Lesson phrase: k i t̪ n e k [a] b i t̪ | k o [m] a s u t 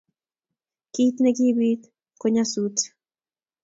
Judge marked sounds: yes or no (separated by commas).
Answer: no, no